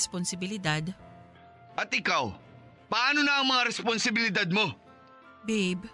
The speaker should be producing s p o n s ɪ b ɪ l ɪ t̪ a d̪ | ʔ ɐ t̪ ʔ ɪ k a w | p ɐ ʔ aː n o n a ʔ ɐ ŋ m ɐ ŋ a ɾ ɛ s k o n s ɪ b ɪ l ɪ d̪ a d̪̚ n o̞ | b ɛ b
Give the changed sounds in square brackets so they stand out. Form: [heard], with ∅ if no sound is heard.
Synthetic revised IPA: s p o n s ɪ b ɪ l ɪ [d̪] a d̪ | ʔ ɐ t̪ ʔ ɪ k a w | p ɐ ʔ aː n o n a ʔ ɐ ŋ m ɐ ŋ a ɾ ɛ s [p] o n s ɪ b ɪ l ɪ d̪ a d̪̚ [m] o̞ | b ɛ b